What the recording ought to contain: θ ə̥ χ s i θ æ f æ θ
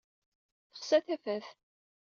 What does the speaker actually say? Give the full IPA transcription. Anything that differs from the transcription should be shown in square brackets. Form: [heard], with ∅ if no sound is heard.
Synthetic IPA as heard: θ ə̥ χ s [æ] θ æ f æ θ